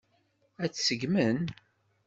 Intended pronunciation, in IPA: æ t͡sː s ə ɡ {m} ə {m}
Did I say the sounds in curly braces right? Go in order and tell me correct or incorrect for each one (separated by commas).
correct, incorrect